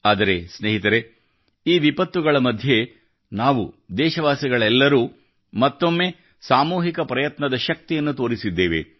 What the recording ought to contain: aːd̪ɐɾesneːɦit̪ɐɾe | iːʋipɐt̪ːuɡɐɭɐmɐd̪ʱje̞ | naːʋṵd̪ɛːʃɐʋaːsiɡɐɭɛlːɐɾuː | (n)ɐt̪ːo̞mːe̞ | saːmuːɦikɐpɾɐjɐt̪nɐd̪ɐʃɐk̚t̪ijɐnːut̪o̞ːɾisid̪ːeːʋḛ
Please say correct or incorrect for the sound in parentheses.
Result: incorrect